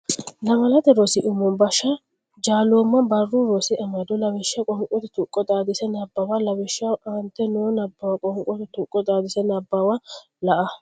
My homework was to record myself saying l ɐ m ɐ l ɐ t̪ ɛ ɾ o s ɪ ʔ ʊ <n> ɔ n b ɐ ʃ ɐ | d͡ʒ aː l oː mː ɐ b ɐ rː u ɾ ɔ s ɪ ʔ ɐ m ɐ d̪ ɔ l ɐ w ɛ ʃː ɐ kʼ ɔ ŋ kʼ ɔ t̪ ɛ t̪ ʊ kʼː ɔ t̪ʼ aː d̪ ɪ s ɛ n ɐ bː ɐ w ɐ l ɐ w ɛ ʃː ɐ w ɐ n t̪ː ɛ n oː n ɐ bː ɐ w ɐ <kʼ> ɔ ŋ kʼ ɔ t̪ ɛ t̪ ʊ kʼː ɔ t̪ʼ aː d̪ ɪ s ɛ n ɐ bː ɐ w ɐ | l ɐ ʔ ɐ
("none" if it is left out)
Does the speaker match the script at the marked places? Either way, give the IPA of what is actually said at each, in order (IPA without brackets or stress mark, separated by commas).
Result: m, kʼ